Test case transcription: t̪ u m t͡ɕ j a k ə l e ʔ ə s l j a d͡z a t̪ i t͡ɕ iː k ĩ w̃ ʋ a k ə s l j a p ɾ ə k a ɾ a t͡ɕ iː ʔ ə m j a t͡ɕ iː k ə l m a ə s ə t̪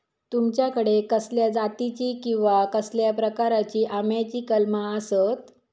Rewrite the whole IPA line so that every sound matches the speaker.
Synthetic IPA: t̪ u m t͡ɕ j a k ə ɽ e k ə s l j a d͡z a t̪ i t͡ɕ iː k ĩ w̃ ʋ a k ə s l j a p ɾ ə k a ɾ a t͡ɕ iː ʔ a m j a t͡ɕ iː k ə l m a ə s ə t̪